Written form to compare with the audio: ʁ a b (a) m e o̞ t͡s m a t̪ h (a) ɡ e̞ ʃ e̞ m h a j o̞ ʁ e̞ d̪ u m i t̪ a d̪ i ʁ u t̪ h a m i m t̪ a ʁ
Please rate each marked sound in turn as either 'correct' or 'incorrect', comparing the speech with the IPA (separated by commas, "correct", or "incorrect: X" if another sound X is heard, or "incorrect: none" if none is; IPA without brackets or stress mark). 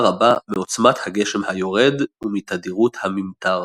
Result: correct, correct